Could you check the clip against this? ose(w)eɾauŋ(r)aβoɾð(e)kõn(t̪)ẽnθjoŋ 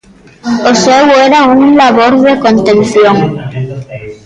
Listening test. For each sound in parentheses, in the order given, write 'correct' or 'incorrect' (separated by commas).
correct, incorrect, correct, correct